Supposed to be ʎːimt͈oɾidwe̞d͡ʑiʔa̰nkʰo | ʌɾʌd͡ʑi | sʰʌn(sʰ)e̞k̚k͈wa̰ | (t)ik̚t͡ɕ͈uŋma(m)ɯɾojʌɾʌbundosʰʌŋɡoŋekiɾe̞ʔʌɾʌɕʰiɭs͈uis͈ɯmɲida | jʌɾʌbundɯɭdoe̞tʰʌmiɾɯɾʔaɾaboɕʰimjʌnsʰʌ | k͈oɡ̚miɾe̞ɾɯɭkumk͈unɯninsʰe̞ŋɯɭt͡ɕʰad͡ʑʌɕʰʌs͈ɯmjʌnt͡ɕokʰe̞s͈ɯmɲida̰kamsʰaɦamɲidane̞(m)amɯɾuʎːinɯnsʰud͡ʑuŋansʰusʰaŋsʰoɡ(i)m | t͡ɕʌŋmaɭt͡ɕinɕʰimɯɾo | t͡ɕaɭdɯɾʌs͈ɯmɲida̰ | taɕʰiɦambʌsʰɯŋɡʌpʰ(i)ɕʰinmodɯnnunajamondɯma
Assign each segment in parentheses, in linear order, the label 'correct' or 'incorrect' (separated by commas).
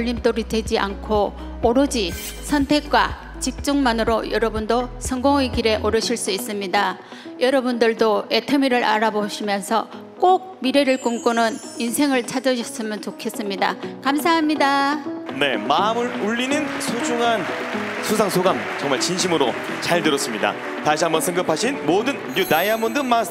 incorrect, incorrect, incorrect, correct, incorrect, incorrect